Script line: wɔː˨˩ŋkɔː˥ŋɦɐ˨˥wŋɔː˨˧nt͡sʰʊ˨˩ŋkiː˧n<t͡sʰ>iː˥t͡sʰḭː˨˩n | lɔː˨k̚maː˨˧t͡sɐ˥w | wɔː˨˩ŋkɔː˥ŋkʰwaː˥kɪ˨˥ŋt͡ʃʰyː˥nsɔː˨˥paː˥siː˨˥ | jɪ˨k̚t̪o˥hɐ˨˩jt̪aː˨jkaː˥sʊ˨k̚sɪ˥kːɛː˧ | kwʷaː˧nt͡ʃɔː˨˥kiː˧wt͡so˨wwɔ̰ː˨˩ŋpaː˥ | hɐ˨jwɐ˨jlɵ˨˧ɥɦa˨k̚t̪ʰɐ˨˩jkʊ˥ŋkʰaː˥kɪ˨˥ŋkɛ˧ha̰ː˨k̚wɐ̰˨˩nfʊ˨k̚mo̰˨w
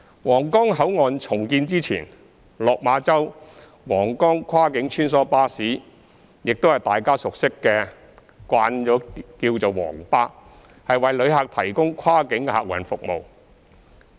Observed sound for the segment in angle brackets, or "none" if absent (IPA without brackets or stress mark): t͡s